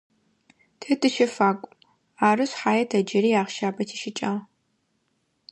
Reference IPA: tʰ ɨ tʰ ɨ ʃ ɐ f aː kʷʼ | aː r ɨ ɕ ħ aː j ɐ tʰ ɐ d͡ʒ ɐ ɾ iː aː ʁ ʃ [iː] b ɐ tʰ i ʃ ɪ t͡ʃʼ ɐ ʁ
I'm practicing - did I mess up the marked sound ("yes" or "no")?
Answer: yes